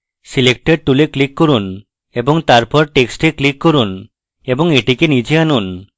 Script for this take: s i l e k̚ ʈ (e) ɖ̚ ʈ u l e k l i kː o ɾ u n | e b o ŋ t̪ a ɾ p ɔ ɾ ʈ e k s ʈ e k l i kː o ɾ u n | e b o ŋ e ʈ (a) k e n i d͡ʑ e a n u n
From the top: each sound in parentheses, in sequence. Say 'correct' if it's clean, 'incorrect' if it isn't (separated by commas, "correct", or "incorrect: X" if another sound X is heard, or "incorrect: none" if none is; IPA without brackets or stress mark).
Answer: correct, incorrect: i